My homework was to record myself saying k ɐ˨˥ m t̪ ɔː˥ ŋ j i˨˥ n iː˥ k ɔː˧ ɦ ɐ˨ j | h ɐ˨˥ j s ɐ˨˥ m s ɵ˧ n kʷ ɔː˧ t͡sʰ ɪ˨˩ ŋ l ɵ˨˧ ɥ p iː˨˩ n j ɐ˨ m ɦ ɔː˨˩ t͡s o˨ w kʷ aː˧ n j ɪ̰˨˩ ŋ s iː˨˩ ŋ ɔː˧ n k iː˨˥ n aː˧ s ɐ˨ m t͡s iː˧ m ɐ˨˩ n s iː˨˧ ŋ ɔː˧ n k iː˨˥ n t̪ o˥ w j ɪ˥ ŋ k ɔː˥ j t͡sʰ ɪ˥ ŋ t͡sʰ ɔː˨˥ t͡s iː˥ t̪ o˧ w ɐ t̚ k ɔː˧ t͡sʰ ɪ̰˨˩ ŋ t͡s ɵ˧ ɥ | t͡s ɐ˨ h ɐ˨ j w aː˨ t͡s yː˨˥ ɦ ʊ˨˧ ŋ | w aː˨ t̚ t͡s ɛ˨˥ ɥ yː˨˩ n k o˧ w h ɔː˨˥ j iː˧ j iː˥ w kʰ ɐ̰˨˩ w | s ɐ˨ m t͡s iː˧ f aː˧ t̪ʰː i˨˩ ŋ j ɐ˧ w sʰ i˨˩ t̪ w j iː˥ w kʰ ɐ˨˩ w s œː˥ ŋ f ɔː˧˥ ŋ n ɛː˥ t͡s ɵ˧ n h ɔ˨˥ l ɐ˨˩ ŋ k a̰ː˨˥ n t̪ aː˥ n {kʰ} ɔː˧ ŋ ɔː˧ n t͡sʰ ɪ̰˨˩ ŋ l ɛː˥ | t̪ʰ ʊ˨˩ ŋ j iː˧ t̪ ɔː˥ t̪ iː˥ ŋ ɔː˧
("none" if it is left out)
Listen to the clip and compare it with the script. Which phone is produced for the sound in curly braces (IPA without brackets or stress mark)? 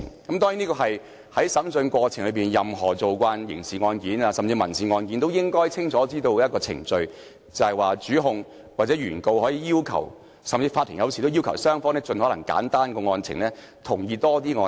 k